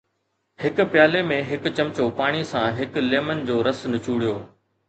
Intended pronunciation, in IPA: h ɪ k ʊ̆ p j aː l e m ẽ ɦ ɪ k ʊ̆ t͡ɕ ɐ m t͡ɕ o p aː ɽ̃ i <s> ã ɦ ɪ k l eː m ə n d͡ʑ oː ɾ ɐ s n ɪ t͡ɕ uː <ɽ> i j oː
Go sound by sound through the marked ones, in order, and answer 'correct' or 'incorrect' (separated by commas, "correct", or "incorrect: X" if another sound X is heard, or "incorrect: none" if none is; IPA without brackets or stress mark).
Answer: correct, correct